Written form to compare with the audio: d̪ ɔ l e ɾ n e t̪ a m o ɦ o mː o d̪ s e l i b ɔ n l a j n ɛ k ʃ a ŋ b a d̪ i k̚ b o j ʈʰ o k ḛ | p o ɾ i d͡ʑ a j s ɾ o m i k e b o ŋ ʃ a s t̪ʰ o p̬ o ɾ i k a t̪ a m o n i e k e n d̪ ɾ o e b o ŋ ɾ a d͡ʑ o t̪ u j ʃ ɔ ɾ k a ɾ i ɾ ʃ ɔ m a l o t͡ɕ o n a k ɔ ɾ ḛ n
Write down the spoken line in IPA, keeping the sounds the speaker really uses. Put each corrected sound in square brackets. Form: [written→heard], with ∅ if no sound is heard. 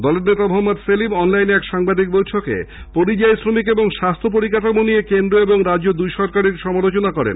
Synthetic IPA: d̪ ɔ l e ɾ n e t̪ a m o ɦ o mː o d̪ s e l i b ɔ n l a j n ɛ k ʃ a ŋ b a d̪ i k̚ b o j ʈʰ o k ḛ | p o ɾ i d͡ʑ a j s ɾ o m i k e b o ŋ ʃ a s t̪ʰ o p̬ o ɾ i k a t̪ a m o n i e k e n d̪ ɾ o e b o ŋ ɾ a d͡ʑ o [t̪→d̪] u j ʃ ɔ ɾ k a ɾ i ɾ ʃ ɔ m a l o t͡ɕ o n a k ɔ ɾ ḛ n